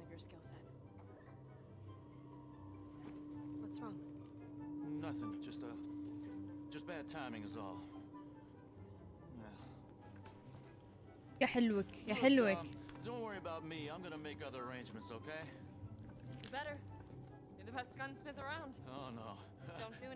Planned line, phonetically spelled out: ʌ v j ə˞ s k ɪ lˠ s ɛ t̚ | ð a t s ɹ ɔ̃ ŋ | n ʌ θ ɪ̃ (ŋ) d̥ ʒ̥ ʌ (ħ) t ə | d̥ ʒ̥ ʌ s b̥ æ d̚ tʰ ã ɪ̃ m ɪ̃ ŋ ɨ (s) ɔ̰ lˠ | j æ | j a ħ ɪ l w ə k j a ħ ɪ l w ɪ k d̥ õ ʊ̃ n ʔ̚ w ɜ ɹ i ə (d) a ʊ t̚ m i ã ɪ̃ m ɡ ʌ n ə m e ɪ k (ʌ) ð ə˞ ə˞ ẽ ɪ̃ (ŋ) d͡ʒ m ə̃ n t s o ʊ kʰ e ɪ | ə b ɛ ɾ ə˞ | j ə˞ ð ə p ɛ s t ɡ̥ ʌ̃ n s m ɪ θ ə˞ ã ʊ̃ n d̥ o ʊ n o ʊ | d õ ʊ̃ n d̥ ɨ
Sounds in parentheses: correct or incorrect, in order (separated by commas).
correct, incorrect, incorrect, incorrect, correct, incorrect